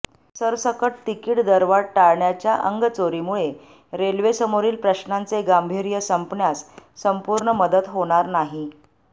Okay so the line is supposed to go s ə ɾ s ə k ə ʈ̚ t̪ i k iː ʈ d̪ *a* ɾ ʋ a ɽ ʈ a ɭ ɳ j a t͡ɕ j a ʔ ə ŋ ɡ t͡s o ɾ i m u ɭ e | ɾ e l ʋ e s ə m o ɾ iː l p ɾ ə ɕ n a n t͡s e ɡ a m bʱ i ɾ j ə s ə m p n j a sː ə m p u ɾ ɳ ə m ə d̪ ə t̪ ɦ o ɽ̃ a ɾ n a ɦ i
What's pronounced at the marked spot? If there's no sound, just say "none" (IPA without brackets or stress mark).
ə